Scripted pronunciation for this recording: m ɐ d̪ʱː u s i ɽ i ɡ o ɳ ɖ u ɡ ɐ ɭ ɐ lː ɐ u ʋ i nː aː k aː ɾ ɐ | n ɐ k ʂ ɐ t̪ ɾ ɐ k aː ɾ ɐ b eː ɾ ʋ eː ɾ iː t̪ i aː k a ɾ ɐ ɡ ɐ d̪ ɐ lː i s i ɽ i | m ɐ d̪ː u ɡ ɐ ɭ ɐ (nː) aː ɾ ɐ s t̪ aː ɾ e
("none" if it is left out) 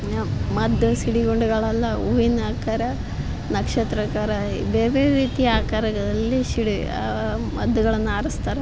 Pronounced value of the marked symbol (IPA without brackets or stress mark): nː